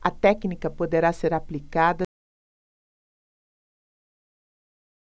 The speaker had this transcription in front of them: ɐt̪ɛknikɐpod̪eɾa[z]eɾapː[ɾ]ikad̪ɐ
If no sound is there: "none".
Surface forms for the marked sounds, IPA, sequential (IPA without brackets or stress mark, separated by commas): s, l